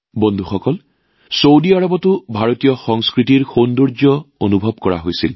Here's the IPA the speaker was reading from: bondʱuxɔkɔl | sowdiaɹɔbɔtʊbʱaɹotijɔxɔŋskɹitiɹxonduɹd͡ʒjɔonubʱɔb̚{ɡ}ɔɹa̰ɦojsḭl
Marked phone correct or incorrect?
incorrect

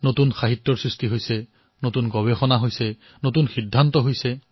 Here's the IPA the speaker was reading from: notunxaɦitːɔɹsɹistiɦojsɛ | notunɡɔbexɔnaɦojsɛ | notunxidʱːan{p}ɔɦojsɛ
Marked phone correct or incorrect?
incorrect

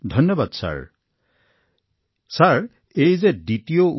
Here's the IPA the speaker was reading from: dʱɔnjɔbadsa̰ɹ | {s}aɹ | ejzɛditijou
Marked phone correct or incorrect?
correct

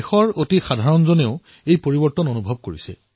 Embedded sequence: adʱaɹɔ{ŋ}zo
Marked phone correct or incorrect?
incorrect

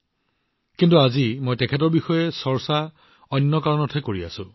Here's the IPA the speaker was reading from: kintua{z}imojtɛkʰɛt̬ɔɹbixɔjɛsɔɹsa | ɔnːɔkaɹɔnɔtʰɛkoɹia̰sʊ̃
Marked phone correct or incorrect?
correct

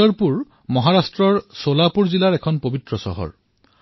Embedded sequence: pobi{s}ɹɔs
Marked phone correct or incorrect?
incorrect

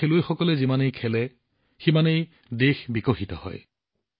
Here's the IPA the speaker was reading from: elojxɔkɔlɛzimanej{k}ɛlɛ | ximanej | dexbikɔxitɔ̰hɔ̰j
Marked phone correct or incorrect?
incorrect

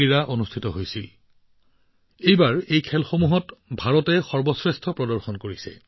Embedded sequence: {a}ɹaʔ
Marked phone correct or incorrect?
incorrect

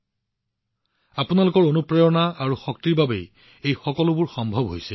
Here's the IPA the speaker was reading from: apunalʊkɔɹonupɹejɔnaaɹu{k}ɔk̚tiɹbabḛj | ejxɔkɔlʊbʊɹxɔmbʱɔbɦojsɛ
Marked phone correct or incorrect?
incorrect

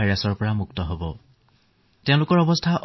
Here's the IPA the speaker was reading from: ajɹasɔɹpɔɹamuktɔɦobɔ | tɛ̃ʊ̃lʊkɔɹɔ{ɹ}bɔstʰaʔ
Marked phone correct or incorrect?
incorrect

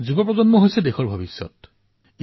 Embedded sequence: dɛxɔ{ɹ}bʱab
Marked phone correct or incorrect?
correct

